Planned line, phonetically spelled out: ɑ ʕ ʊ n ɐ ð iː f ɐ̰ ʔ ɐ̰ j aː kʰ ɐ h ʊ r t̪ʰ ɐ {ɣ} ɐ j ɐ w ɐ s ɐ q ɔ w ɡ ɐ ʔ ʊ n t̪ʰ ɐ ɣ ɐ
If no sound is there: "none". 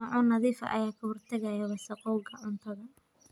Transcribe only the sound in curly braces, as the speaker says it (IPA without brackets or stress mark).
ɣ